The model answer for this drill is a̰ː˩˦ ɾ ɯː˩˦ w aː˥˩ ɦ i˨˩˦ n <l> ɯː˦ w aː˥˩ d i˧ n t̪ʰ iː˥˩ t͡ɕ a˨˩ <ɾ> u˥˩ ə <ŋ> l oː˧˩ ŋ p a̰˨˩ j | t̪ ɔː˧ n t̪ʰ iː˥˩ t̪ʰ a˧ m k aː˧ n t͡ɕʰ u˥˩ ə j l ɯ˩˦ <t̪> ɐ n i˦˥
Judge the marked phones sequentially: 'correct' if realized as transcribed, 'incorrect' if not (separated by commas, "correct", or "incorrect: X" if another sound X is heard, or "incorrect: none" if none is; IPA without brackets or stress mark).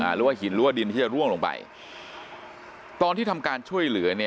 incorrect: ɾ, correct, correct, incorrect: none